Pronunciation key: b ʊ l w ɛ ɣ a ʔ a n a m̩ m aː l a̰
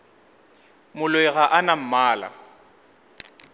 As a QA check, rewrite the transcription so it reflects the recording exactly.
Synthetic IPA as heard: m ʊ l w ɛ ɣ a ʔ a n a m̩ m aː l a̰